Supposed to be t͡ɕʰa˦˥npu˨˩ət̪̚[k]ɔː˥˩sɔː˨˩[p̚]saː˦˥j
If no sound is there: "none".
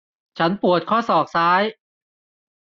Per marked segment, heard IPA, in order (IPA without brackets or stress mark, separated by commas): kʰ, k̚